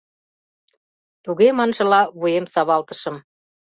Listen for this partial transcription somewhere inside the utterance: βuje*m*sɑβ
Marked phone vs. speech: correct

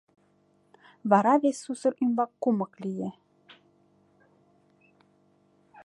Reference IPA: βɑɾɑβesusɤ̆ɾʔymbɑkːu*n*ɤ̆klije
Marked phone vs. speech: incorrect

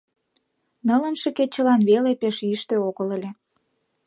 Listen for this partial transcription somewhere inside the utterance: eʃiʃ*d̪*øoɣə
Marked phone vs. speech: incorrect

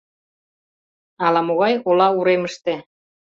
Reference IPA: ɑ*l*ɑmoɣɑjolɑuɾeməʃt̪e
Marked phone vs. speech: correct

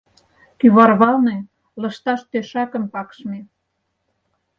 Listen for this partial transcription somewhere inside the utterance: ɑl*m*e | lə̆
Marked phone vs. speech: incorrect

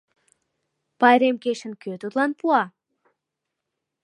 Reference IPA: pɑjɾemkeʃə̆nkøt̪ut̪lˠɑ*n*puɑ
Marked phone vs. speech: correct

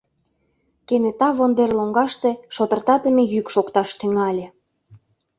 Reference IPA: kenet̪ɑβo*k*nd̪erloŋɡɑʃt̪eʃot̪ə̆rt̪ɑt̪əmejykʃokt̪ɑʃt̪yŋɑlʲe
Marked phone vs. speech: incorrect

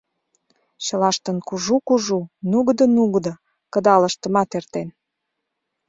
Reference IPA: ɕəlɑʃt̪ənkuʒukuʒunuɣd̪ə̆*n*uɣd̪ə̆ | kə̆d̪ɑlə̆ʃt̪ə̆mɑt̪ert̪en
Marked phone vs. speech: correct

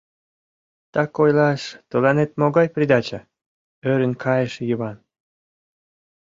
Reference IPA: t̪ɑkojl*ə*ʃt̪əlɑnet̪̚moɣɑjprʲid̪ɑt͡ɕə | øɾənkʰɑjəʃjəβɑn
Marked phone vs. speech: incorrect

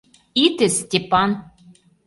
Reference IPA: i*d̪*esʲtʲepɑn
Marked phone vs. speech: incorrect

